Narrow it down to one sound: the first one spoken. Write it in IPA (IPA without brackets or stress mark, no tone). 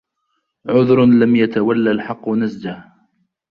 ʕ